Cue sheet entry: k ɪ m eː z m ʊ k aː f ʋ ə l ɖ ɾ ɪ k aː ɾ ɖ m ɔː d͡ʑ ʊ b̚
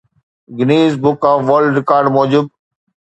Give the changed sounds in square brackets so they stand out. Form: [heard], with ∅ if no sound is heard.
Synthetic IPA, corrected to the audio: [ɡ] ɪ [n] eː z [b] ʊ k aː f ʋ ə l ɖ ɾ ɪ k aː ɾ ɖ m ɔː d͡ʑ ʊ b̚